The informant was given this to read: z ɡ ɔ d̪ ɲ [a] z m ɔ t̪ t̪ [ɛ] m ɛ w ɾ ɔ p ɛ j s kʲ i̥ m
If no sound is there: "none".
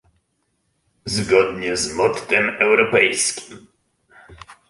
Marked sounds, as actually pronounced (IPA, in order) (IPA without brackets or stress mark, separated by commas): ɛ, ɛ